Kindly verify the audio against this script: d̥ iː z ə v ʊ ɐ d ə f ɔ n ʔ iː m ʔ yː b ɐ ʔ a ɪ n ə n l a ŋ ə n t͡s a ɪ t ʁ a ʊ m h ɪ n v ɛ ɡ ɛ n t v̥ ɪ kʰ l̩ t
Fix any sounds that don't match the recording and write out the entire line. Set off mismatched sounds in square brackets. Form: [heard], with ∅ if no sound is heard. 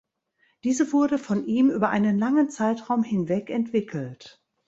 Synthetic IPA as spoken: d̥ iː z ə v ʊ ɐ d ə f ɔ n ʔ iː m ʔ yː b ɐ ʔ a ɪ n ə n l a ŋ ə n t͡s a ɪ t ʁ a ʊ m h ɪ n v ɛ [k] ɛ n t v̥ ɪ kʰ l̩ t